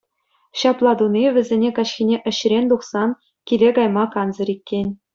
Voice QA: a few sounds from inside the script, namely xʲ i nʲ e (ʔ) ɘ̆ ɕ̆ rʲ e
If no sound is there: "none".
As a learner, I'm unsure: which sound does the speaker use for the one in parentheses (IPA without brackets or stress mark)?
ʔ